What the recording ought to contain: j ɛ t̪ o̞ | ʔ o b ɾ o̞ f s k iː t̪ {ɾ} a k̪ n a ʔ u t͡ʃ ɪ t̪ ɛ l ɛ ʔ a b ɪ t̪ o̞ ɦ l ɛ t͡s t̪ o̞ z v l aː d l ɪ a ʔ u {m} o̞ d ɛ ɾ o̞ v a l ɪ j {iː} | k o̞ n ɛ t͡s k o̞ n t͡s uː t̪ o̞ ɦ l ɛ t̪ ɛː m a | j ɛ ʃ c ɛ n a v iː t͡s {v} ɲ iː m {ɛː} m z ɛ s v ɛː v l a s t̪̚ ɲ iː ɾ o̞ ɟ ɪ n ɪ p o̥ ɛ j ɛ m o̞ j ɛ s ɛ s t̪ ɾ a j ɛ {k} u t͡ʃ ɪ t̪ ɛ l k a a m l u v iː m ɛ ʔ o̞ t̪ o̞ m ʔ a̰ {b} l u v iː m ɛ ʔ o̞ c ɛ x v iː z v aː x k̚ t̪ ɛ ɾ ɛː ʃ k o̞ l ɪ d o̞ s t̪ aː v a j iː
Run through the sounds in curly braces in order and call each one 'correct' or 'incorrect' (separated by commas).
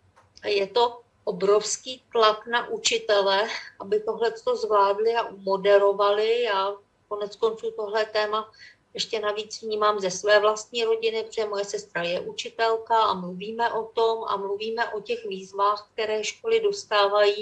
incorrect, correct, incorrect, correct, incorrect, incorrect, incorrect